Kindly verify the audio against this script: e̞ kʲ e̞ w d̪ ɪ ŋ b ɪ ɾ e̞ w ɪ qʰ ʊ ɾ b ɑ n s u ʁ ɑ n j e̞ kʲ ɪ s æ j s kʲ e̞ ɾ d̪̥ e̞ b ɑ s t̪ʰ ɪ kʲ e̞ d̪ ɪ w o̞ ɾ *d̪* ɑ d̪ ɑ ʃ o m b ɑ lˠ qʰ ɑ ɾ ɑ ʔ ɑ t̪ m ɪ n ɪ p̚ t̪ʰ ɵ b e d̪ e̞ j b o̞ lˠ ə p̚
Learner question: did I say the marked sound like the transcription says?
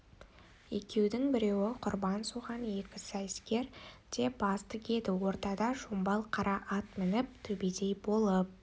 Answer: no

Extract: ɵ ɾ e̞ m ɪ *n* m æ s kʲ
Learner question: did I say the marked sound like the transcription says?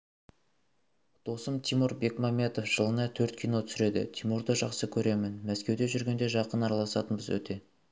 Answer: yes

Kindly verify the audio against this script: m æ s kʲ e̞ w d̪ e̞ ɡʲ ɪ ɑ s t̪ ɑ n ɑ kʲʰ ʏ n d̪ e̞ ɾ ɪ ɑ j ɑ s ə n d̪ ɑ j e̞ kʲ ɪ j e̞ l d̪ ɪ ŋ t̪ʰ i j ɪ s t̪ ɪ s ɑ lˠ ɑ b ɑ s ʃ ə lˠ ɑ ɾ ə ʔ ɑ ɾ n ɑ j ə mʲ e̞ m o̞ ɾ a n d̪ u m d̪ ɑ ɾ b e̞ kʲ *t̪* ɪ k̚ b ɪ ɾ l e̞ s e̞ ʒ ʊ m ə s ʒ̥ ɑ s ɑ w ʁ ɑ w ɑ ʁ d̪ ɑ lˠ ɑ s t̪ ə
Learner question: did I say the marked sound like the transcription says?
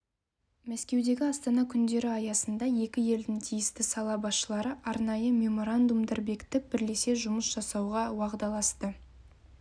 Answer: yes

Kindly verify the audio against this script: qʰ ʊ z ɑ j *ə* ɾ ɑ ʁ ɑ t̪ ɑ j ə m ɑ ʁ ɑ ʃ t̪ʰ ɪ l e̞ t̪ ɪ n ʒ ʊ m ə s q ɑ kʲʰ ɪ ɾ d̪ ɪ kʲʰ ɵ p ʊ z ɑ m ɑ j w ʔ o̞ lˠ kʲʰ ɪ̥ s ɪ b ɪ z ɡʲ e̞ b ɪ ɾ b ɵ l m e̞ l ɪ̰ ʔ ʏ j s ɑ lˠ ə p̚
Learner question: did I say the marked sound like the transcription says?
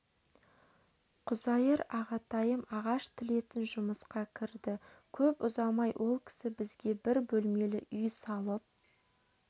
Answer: yes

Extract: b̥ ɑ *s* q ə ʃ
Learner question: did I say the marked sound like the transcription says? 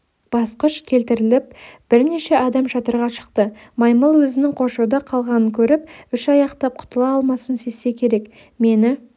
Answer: yes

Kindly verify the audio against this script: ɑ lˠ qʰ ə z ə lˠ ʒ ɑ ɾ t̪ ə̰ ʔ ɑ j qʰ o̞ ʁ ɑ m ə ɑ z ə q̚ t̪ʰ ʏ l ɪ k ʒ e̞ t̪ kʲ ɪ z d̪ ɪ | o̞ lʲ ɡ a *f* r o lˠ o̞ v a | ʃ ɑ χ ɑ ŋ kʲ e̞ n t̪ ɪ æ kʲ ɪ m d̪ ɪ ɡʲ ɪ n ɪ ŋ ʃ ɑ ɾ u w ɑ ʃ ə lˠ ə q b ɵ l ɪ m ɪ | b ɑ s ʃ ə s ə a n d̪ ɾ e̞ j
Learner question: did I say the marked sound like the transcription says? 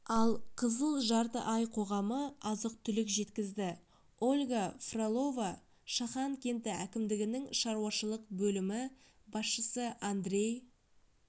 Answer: yes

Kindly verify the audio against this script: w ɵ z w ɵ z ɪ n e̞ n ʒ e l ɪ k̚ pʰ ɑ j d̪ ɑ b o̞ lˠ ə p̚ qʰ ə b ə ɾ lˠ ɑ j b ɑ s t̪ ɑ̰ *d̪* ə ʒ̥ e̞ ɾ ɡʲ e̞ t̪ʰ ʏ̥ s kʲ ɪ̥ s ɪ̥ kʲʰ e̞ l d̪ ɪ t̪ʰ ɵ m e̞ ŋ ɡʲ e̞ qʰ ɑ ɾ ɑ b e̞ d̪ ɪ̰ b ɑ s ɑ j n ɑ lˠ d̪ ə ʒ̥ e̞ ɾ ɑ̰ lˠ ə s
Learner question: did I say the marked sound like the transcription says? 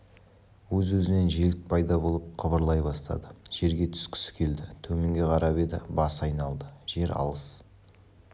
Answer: yes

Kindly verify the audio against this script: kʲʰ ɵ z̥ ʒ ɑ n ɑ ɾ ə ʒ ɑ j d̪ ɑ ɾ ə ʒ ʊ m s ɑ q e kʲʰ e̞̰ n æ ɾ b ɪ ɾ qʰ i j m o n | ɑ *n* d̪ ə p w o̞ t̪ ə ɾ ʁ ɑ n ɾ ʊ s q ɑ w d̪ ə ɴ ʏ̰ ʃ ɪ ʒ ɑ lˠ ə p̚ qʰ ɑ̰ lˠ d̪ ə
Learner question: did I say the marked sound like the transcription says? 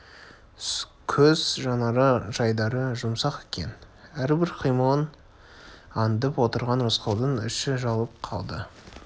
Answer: yes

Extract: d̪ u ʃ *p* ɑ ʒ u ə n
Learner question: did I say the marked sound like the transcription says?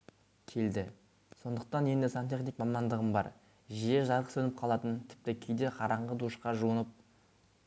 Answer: no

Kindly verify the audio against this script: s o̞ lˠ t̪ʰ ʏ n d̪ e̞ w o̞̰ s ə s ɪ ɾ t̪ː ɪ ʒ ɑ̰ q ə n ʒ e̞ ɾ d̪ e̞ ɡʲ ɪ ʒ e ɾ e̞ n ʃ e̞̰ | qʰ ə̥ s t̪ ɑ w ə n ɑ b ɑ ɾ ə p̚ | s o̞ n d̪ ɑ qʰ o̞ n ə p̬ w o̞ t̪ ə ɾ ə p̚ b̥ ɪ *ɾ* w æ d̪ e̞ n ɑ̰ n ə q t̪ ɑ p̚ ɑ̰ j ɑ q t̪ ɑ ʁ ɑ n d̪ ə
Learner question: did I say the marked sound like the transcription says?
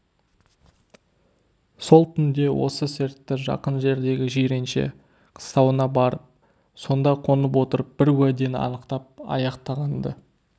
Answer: yes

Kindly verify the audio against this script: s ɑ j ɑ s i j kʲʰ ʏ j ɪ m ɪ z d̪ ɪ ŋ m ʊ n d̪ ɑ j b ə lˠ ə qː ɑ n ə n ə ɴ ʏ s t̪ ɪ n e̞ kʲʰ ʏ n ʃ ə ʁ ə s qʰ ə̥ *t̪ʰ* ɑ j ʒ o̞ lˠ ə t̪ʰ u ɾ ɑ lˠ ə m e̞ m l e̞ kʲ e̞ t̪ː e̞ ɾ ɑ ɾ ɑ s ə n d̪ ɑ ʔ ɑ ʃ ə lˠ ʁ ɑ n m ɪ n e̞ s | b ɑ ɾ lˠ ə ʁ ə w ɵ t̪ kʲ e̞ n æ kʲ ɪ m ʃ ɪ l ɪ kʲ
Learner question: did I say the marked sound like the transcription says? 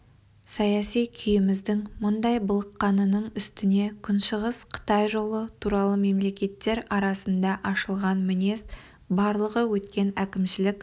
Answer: no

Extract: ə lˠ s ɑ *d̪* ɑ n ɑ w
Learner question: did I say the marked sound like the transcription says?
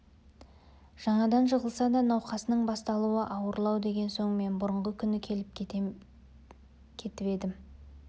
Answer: yes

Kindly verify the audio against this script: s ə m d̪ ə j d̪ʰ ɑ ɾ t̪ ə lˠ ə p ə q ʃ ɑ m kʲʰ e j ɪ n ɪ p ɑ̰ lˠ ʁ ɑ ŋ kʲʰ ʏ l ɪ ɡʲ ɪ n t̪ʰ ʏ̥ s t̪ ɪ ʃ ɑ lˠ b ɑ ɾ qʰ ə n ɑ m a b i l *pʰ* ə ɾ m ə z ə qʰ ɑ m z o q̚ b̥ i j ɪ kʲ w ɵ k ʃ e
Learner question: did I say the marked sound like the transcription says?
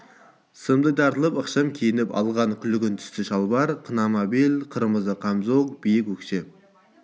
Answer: no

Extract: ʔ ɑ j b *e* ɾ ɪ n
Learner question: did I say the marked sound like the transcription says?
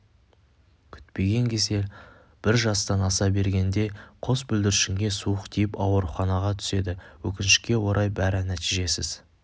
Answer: no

